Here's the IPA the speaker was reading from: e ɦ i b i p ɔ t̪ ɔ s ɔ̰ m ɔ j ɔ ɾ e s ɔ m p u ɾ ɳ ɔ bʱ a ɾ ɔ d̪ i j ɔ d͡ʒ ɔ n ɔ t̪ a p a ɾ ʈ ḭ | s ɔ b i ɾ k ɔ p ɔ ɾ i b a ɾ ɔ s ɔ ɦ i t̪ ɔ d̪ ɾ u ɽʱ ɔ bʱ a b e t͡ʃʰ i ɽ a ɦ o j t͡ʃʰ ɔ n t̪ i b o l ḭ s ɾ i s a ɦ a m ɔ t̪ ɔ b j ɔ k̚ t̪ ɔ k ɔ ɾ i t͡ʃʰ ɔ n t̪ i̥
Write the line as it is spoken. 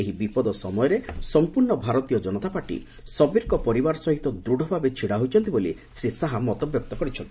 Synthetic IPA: e ɦ i b i p ɔ d̪ ɔ s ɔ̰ m ɔ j ɔ ɾ e s ɔ m p u ɾ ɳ ɔ bʱ a ɾ ɔ t̪ i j ɔ d͡ʒ ɔ n ɔ t̪ a p a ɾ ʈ ḭ | s ɔ b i ɾ k ɔ p ɔ ɾ i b a ɾ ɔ s ɔ ɦ i t̪ ɔ d̪ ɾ u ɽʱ ɔ bʱ a b e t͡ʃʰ i ɽ a ɦ o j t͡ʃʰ ɔ n t̪ i b o l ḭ s ɾ i s a ɦ a m ɔ t̪ ɔ b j ɔ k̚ t̪ ɔ k ɔ ɾ i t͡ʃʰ ɔ n t̪ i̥